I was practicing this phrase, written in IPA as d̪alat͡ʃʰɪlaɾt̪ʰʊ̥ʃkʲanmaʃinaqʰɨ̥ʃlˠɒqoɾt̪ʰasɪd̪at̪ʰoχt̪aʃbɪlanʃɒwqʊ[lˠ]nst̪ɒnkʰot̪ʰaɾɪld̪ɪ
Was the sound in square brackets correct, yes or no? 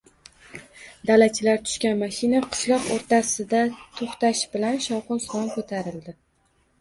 no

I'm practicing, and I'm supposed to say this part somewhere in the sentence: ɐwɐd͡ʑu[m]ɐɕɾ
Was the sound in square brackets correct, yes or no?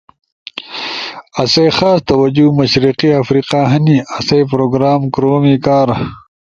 yes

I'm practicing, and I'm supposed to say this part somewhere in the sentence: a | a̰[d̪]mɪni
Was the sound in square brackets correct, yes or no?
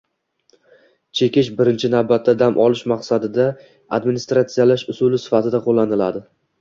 yes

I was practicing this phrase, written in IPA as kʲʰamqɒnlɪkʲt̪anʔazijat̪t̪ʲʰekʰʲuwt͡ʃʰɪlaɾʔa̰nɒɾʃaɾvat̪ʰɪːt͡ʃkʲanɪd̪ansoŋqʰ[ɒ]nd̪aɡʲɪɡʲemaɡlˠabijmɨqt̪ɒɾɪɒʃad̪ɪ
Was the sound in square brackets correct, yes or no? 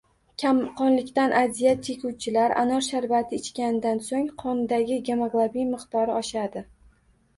yes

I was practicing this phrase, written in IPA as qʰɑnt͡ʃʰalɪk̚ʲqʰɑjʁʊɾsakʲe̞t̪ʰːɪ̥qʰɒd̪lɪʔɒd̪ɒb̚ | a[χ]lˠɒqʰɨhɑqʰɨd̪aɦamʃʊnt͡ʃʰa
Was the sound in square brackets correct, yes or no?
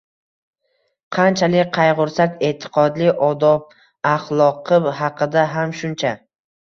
yes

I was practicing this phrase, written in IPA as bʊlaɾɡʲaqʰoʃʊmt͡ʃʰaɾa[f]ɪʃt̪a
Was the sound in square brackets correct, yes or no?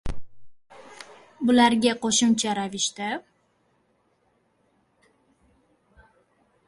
no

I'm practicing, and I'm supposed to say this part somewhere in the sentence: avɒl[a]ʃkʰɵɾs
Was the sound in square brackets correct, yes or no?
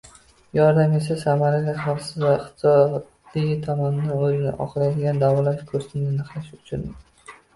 yes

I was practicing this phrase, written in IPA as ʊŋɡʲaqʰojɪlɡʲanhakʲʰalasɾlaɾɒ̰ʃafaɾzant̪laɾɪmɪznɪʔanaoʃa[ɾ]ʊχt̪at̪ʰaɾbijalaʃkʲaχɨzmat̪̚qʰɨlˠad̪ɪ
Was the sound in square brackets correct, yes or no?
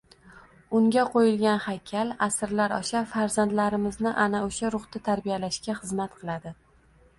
yes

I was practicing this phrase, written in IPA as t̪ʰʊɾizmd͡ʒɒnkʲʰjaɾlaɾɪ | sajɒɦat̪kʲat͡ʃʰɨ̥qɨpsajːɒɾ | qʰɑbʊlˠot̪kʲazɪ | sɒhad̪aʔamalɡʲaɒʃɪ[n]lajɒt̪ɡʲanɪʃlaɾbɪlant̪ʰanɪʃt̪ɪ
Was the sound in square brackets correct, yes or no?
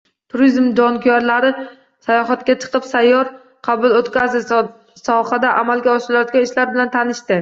no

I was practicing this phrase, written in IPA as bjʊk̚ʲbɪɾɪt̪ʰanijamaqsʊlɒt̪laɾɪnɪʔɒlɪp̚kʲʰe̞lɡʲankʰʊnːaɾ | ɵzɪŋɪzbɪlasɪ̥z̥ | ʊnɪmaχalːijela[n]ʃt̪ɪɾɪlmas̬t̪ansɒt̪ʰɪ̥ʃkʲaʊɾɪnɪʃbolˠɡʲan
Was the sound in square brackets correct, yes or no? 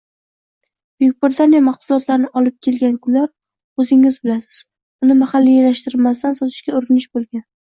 no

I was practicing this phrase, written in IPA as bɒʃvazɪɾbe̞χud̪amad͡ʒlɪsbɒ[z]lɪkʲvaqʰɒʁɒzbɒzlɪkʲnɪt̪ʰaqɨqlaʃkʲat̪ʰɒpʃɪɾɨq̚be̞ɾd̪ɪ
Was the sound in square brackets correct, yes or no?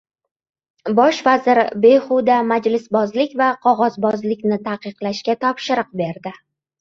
yes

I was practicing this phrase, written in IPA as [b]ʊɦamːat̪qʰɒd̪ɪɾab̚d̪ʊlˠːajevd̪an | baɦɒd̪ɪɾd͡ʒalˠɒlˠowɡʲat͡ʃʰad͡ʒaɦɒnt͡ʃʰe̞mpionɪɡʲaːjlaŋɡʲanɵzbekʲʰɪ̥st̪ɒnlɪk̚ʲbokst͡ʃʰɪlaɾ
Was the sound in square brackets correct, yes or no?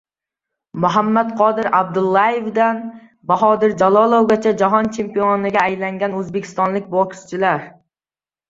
no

